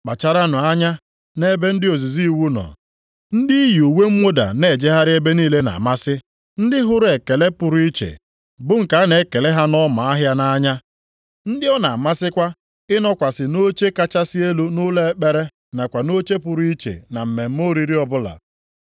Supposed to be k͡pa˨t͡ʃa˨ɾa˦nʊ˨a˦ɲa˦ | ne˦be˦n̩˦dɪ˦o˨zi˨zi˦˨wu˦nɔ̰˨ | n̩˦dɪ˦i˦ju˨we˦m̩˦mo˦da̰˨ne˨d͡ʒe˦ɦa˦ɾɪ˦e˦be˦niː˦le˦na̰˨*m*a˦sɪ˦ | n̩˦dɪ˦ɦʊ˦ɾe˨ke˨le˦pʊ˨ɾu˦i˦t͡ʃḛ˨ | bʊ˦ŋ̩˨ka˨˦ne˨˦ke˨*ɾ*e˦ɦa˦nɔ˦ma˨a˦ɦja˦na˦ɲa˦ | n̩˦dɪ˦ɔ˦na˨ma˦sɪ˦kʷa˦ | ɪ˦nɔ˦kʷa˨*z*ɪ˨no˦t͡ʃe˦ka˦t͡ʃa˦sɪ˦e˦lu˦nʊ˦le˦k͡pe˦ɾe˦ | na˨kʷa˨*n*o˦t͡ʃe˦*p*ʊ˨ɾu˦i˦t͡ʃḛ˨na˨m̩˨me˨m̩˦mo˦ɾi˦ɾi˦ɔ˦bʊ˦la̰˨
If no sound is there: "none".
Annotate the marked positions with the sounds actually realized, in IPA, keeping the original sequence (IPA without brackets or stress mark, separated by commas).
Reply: m, l, s, n, p